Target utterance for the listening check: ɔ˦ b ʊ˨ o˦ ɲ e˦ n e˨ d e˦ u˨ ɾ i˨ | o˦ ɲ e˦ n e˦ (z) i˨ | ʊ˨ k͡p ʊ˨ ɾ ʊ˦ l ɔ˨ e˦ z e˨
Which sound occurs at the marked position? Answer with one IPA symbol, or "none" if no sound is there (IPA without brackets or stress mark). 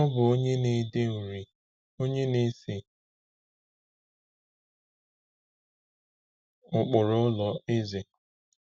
s